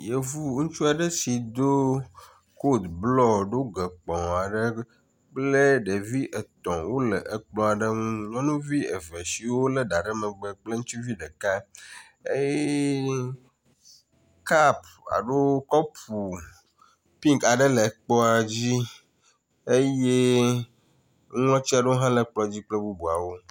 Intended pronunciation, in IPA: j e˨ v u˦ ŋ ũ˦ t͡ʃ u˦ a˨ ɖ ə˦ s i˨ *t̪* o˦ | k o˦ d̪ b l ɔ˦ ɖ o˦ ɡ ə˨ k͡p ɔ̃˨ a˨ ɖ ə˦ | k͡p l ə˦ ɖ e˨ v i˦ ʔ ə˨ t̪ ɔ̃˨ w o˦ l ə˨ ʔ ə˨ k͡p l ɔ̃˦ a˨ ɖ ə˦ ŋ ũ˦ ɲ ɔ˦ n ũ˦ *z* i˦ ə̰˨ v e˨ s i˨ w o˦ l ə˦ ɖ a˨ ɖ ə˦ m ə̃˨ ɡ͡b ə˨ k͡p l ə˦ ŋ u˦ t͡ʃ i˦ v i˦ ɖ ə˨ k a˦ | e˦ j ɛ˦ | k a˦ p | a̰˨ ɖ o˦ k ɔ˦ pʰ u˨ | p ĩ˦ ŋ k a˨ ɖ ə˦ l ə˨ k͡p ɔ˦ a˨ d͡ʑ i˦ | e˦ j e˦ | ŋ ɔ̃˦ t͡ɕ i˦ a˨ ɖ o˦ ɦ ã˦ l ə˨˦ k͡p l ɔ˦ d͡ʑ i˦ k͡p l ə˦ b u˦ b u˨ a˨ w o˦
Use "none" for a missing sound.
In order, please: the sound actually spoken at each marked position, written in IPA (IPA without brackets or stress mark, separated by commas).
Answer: d̪, v